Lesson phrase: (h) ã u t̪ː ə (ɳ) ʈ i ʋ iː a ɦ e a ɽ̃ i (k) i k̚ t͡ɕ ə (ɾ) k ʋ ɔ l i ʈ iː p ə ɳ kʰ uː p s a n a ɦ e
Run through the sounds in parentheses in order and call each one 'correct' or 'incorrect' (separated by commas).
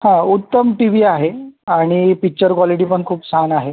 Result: correct, incorrect, incorrect, correct